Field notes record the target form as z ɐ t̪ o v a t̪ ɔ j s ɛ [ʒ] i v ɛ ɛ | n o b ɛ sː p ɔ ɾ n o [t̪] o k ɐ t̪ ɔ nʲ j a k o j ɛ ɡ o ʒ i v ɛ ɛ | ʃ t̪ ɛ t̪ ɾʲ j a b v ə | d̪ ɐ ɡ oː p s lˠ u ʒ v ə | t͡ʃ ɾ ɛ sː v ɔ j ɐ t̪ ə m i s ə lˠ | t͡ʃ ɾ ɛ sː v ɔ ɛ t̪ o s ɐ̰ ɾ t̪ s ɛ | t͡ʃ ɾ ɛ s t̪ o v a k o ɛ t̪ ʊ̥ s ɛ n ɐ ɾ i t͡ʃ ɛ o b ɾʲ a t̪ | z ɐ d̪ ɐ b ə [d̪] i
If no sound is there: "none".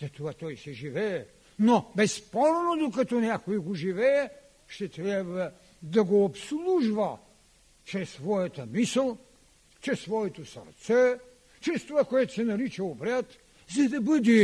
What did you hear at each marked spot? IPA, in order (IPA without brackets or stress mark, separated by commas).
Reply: ʒ, d̪, d̪